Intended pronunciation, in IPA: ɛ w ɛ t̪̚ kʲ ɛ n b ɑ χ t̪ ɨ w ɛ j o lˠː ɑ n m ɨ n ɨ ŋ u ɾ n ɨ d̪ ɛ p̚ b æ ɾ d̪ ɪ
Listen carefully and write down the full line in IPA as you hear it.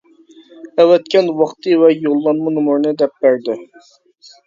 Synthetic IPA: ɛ w ɛ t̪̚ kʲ ɛ n w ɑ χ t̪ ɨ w ɛ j o lˠː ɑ n m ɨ n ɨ m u ɾ n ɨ d̪ ɛ p̚ b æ ɾ d̪ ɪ